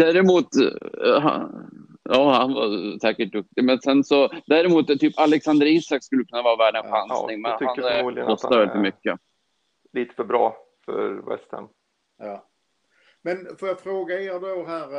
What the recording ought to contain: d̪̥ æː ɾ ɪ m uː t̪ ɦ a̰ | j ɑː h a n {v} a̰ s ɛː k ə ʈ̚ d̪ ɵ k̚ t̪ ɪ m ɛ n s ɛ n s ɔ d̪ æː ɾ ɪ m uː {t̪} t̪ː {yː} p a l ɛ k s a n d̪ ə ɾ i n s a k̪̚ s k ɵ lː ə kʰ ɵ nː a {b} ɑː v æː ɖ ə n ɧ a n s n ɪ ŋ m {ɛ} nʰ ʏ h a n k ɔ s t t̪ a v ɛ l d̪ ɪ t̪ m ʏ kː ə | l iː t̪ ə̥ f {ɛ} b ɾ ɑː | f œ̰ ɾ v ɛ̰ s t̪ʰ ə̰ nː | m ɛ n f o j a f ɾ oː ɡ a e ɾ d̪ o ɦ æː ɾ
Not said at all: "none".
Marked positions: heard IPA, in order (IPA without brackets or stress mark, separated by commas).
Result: v, t̪, yː, v, ɛ, œ